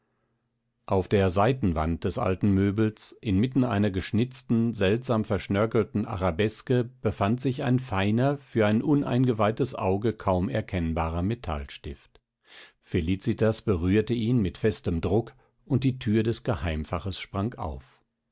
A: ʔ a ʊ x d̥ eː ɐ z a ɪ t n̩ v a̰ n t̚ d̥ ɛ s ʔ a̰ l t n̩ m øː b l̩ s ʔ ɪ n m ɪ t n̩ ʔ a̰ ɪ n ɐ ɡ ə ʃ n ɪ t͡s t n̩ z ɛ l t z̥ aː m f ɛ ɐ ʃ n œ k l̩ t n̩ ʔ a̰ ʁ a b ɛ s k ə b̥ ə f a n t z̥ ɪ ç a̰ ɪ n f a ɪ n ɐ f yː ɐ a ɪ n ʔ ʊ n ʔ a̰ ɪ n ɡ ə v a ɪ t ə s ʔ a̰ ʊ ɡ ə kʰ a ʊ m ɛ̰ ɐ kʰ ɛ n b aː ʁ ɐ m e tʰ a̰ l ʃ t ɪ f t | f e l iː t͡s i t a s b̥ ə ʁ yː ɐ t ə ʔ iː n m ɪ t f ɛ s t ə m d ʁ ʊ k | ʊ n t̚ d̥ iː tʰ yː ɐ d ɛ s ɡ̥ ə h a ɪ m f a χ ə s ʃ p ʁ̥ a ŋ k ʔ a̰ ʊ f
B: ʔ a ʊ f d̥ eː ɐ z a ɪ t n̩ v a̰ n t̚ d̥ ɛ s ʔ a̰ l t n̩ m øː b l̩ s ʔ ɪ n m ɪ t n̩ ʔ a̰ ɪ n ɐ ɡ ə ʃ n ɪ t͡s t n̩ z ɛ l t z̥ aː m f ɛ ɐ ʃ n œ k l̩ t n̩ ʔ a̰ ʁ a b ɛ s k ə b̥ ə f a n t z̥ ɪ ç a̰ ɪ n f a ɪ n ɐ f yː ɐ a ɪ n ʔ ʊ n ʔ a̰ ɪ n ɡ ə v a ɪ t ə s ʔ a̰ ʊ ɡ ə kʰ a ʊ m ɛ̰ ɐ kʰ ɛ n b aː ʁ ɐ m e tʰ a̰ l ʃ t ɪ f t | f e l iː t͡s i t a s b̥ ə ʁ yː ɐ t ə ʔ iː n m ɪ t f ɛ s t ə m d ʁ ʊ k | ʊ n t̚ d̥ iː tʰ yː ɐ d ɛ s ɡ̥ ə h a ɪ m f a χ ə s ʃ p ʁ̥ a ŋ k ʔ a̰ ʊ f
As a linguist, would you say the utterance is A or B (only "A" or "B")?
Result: B